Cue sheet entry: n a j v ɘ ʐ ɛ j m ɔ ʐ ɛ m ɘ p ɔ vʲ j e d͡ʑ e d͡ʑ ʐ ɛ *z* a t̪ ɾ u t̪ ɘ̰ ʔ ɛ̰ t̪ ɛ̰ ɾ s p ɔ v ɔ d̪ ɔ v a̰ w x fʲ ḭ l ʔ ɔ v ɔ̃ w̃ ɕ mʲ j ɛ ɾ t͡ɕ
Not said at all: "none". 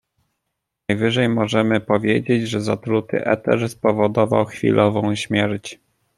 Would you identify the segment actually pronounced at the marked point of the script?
z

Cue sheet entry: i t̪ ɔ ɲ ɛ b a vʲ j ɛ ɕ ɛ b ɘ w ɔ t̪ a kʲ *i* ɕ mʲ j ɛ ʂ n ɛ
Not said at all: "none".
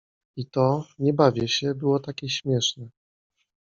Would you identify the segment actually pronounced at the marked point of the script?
ɛ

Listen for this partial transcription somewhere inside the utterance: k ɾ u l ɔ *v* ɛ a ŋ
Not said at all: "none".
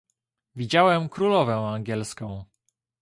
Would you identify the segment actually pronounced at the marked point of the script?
v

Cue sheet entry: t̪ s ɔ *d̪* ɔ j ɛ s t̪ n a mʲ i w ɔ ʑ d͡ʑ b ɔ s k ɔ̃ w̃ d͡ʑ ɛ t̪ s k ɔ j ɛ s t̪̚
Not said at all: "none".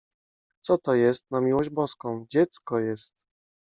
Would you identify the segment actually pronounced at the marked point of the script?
t̪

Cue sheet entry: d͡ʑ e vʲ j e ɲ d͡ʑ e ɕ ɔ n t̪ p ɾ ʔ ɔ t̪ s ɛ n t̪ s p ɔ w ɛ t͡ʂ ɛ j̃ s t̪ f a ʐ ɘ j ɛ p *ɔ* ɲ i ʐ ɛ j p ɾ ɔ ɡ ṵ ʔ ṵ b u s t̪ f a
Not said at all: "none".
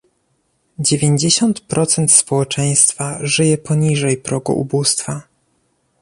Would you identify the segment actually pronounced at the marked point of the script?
ɔ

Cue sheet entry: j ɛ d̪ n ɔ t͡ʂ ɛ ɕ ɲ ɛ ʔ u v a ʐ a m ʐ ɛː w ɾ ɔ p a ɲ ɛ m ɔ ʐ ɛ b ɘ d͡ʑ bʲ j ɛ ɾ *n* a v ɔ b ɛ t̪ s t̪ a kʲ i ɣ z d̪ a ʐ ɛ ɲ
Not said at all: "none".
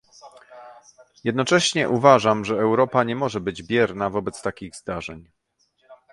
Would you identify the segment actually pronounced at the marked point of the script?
n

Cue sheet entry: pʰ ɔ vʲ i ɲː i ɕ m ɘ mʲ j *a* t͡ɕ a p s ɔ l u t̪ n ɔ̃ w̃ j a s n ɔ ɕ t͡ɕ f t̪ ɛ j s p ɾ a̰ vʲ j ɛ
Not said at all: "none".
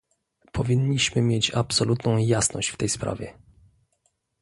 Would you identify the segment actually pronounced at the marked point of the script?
e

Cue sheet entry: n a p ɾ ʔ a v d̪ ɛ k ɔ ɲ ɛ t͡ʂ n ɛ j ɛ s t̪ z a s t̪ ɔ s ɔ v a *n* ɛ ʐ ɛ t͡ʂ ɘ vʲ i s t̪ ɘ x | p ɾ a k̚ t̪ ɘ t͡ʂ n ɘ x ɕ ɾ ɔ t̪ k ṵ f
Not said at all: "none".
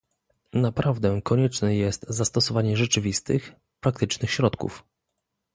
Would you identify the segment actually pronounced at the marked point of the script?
ɲ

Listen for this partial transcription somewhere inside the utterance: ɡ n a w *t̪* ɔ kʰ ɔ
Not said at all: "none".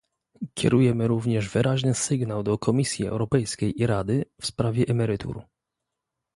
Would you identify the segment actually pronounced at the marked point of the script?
d̪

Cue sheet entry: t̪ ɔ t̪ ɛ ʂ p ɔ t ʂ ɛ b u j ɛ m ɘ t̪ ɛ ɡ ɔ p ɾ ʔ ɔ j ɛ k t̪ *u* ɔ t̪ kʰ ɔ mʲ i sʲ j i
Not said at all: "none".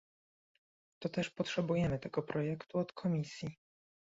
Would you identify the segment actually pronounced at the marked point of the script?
u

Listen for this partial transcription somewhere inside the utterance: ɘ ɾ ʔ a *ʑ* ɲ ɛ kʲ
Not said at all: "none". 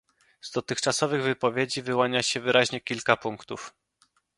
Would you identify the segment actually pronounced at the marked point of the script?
ʑ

